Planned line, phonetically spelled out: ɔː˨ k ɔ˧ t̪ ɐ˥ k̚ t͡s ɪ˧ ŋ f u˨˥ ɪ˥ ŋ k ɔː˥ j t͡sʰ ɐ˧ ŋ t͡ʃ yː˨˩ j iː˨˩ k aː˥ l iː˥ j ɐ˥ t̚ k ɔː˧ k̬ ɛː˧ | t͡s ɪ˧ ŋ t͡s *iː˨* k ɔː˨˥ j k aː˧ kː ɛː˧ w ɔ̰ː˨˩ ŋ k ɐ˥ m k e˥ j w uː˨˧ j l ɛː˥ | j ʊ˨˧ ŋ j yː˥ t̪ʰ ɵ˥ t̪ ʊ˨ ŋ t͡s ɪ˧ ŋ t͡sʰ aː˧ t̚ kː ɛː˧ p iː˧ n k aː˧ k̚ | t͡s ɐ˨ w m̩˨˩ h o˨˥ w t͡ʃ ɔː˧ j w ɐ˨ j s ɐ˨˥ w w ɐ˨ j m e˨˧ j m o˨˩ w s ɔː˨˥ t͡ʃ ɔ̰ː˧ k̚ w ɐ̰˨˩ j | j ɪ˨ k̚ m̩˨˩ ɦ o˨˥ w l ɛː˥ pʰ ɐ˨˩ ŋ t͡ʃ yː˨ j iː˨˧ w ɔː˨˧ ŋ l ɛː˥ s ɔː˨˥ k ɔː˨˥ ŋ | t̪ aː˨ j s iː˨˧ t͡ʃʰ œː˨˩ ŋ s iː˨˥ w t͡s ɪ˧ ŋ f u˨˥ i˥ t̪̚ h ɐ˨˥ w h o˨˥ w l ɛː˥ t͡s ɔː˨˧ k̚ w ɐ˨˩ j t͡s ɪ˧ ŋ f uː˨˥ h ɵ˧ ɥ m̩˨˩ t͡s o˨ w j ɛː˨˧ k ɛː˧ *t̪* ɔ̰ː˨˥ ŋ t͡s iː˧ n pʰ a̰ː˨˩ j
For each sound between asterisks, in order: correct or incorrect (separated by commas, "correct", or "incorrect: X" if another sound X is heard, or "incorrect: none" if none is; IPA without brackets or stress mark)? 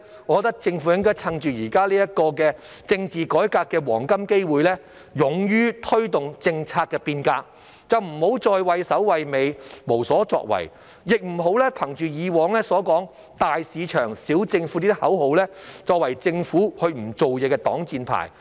correct, correct